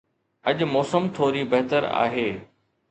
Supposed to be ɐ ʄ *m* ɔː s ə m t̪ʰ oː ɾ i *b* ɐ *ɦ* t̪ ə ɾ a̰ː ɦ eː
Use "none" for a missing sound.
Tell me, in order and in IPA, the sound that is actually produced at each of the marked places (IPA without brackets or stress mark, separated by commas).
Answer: m, b, ɦ